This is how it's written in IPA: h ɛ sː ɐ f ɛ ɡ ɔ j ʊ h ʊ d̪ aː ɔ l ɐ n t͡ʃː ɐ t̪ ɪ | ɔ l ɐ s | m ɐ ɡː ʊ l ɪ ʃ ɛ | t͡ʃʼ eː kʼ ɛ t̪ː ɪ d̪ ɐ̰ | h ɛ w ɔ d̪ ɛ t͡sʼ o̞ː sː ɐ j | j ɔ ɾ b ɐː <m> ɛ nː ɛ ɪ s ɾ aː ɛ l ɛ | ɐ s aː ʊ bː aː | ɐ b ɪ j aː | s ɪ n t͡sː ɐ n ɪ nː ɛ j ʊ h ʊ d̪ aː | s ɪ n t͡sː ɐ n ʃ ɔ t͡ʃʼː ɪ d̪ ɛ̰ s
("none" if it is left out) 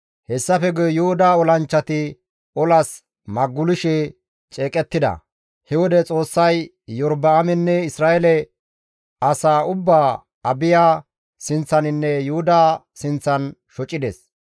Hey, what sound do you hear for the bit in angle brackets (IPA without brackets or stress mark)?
m